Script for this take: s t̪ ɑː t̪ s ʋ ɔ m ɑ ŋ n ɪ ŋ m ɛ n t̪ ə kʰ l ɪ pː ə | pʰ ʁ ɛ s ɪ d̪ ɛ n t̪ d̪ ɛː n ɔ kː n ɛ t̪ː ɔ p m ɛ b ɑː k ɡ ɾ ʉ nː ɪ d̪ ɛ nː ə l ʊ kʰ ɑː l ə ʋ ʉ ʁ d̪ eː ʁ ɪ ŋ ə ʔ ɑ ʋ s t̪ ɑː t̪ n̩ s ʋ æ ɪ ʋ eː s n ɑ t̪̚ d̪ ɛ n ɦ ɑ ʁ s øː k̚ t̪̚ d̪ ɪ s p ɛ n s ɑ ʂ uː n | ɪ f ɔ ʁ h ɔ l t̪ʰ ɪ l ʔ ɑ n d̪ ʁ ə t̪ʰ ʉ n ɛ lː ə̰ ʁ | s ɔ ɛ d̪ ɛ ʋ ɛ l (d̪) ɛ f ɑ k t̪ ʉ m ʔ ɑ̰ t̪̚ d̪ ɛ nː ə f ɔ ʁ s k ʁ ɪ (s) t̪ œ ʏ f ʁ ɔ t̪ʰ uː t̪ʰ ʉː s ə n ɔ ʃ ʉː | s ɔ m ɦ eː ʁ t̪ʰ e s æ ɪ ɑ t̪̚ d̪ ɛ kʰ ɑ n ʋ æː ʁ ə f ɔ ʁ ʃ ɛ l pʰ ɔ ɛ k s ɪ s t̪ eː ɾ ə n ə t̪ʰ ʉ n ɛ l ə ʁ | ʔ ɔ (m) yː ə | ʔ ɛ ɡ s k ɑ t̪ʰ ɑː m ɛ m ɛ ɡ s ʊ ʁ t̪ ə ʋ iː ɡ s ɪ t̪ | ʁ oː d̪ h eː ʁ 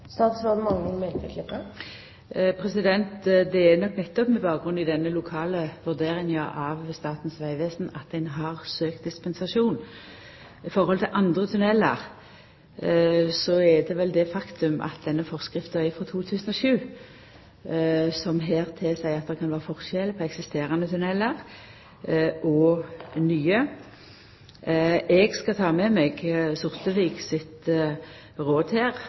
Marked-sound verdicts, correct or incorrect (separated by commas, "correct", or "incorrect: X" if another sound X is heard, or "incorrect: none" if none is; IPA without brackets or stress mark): correct, incorrect: f, incorrect: n